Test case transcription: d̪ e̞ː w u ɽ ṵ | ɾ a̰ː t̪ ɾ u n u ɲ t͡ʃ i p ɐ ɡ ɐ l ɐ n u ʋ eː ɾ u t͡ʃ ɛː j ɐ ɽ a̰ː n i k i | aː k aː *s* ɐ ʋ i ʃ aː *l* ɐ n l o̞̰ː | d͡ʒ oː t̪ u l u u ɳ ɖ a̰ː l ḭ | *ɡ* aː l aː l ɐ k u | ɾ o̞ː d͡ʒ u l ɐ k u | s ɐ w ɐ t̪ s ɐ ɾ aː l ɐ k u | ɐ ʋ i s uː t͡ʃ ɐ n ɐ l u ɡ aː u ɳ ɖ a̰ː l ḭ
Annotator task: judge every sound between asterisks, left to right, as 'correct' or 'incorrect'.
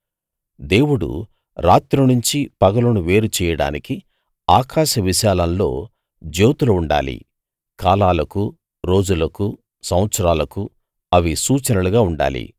incorrect, correct, incorrect

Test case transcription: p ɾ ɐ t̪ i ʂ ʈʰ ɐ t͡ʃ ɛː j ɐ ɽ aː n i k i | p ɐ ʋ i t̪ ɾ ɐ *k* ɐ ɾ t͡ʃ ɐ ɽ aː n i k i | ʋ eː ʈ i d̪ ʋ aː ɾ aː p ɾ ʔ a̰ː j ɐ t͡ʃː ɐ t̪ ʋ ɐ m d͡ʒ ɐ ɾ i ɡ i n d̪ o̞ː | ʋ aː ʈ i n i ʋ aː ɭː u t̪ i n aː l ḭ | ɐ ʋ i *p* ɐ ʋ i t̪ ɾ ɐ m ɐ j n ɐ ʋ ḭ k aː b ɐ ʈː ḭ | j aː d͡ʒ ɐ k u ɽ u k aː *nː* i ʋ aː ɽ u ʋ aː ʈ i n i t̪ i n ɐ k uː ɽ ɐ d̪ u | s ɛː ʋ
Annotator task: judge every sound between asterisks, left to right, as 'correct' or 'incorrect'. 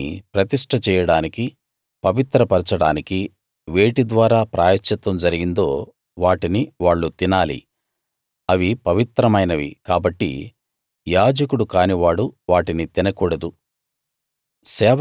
incorrect, correct, incorrect

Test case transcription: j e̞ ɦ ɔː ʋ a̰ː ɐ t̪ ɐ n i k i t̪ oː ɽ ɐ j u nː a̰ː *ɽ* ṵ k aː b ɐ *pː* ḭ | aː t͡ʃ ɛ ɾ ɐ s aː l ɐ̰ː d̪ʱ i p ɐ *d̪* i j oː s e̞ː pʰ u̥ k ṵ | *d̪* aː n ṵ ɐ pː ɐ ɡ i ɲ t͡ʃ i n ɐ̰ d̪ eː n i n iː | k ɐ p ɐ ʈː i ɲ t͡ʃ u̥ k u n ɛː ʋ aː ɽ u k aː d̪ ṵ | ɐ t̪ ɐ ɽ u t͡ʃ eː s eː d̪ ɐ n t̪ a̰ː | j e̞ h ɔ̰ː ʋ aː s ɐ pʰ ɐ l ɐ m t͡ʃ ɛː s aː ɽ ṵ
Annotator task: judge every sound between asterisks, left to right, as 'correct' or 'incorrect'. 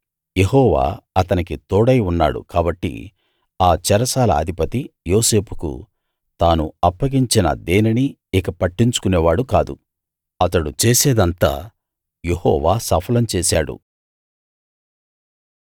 correct, incorrect, incorrect, incorrect

